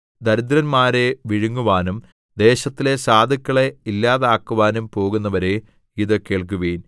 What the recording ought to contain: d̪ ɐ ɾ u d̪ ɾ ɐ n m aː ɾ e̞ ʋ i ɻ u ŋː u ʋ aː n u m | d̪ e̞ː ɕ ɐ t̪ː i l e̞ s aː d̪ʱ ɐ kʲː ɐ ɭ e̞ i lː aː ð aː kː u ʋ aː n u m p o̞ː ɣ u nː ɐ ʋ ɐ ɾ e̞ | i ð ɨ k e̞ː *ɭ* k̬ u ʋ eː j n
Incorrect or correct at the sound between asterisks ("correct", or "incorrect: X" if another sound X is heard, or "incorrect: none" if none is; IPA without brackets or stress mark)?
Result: correct